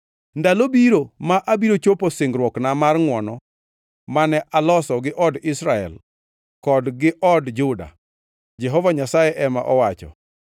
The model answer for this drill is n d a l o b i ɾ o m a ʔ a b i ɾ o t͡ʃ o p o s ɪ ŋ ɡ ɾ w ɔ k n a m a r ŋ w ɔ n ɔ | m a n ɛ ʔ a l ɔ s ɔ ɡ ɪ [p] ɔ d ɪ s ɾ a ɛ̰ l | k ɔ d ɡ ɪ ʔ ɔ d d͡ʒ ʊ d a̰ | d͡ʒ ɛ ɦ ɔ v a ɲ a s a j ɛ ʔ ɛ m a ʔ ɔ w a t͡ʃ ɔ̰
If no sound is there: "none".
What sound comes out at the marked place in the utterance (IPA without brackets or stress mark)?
ʔ